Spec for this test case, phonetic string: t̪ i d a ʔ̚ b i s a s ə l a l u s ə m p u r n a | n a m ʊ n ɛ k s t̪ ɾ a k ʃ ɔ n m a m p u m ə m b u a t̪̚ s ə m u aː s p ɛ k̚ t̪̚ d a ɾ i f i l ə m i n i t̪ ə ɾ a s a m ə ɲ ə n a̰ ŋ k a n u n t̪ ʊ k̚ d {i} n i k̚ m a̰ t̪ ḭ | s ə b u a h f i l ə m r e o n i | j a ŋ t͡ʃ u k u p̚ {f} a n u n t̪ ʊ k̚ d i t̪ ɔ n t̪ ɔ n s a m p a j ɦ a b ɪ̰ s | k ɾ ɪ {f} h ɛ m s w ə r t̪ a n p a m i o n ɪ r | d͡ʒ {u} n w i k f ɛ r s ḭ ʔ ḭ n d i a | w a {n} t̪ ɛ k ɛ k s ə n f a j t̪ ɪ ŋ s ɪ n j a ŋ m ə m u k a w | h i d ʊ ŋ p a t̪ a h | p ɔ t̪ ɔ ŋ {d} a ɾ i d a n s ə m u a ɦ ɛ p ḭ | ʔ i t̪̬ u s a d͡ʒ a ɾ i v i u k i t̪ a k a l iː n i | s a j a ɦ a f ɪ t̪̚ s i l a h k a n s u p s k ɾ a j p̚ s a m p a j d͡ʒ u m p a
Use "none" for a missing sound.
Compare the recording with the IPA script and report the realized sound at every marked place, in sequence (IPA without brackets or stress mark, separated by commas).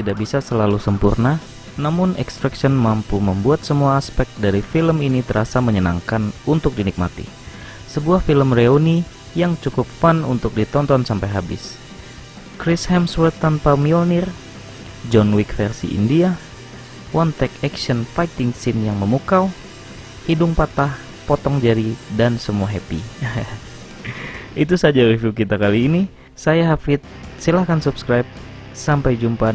i, f, s, ɔ, n, d͡ʒ